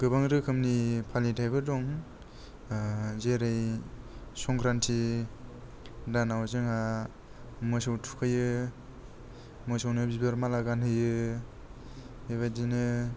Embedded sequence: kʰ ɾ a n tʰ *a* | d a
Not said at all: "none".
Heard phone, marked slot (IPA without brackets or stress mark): i